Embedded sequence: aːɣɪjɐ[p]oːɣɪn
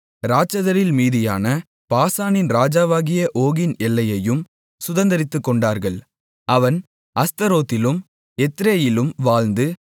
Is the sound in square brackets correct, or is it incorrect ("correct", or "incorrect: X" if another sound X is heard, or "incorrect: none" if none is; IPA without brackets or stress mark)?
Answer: incorrect: ʔ